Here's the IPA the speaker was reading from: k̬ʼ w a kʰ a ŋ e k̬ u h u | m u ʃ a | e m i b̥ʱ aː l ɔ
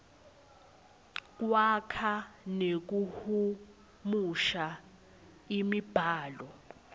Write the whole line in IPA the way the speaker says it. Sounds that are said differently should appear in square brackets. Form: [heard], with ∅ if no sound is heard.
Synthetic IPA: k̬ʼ w a kʰ a [n] e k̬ u h u | m u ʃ a | [i] m i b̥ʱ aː l ɔ